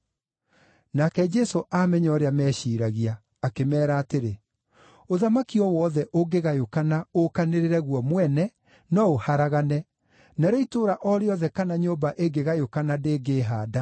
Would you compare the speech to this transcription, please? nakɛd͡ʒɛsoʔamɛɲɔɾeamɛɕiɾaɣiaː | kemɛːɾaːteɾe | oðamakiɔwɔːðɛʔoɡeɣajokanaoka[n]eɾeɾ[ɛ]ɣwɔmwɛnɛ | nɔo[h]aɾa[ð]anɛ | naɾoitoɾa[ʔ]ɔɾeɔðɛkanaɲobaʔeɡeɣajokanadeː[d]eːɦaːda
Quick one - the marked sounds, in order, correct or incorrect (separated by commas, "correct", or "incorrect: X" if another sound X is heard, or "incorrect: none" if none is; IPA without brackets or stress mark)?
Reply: correct, correct, correct, incorrect: ɣ, correct, incorrect: ɡ